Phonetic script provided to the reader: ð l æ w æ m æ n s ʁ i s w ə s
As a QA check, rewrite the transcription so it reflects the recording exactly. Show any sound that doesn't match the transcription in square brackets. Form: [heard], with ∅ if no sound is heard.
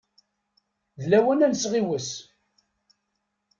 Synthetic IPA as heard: ð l æ w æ [n] æ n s ʁ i [∅] w ə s